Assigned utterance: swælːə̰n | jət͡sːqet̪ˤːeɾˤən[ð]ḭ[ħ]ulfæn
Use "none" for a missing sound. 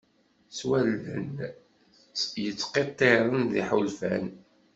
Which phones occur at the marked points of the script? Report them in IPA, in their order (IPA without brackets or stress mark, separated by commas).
ð, ħ